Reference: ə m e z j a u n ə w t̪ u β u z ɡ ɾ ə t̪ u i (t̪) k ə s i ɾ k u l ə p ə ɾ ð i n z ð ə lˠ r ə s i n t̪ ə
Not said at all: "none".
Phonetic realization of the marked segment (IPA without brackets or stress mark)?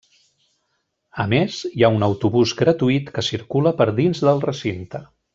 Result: t̪